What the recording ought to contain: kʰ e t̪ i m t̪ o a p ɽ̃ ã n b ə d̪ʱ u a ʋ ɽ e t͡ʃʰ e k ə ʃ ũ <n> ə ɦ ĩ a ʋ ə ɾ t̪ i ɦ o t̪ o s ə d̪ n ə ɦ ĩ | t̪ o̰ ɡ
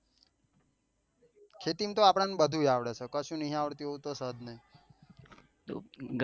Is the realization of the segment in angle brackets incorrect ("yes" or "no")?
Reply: no